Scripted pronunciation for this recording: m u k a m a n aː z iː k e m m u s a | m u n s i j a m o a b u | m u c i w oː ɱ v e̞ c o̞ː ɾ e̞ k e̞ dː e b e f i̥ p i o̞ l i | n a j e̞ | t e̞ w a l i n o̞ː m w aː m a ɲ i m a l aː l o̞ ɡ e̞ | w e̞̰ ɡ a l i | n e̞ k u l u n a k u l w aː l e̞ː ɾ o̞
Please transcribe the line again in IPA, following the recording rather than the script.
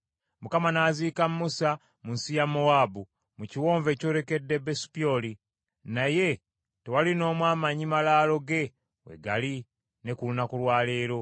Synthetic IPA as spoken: m u k a m a n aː z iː k a m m u s a | m u n s i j a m o a b u | m u c i w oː ɱ v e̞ c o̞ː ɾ e̞ k e̞ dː e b e s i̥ p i o̞ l i | n a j e̞ | t e̞ w a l i n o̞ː m w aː m a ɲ i m a l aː l o̞ ɡ e̞ | w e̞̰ ɡ a l i | n e̞ k u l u n a k u l w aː l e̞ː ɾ o̞